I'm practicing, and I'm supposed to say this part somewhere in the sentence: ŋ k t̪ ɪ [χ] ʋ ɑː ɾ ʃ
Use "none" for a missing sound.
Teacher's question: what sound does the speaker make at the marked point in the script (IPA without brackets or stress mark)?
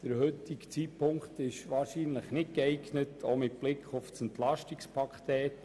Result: ʃ